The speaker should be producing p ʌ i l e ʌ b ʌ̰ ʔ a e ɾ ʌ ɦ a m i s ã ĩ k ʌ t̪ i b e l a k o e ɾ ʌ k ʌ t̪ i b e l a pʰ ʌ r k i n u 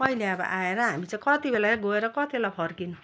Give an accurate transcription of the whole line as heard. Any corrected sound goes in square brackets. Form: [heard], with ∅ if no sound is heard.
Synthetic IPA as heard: p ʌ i l e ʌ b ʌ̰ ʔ a e ɾ ʌ ɦ a m i [t͡s] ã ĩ k ʌ t̪ i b e l a [ɡ] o e ɾ ʌ k ʌ t̪ i b e l a pʰ ʌ r k i n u